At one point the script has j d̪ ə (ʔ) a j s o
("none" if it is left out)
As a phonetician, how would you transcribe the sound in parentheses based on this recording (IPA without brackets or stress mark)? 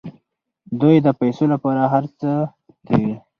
p